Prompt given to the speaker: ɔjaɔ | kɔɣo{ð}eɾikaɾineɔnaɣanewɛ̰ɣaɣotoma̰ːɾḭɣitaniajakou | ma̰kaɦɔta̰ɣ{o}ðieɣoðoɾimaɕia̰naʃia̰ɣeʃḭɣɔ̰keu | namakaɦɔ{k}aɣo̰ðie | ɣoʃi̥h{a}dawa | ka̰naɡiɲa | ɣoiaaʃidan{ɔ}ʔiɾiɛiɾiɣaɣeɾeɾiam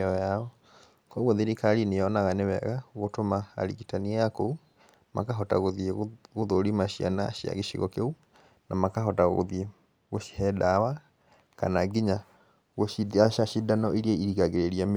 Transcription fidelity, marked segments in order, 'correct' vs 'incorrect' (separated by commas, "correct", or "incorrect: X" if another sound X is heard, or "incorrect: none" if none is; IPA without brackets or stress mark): correct, correct, incorrect: t, incorrect: ɛ, correct